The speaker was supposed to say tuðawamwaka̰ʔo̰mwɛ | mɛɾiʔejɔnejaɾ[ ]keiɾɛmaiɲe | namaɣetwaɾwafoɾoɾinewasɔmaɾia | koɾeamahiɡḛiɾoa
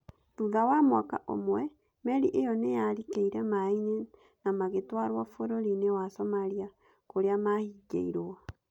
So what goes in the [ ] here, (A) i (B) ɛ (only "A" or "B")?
A